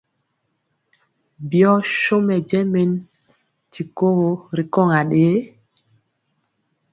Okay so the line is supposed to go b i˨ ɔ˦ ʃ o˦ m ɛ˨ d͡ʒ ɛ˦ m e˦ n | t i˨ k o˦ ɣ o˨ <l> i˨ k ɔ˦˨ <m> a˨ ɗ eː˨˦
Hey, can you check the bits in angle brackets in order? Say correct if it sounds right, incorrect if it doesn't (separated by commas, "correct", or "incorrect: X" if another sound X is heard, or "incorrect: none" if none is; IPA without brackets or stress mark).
incorrect: ɾ, incorrect: ŋ